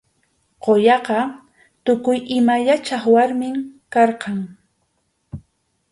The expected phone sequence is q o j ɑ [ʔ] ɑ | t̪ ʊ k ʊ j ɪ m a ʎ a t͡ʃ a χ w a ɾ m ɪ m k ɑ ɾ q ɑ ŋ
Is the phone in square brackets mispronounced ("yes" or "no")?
yes